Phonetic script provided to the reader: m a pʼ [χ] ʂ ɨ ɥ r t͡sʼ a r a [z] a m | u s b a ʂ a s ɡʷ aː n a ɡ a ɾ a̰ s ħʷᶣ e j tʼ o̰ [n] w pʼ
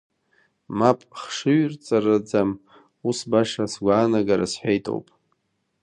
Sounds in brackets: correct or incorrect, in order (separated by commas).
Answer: correct, incorrect, incorrect